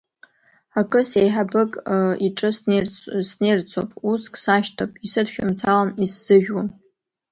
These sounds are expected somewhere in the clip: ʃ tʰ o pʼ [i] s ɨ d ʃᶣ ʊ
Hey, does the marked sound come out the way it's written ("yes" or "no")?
yes